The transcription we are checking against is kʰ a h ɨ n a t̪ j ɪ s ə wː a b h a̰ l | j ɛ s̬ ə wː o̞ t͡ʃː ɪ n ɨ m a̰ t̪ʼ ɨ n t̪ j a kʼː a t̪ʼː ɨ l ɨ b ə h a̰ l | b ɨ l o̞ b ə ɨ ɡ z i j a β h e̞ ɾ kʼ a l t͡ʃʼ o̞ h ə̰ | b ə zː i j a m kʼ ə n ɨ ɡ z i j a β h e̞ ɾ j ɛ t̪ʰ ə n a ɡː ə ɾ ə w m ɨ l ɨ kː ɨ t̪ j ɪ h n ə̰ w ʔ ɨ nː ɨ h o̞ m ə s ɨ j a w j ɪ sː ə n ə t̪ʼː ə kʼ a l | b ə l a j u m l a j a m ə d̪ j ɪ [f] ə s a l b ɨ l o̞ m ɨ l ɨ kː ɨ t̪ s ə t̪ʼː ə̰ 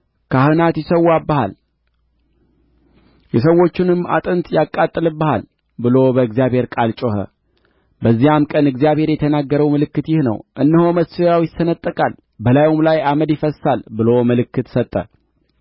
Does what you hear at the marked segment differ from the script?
no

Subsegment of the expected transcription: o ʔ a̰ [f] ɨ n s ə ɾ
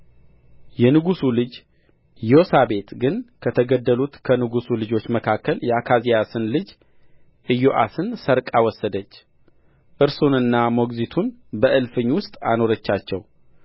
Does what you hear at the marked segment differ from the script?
yes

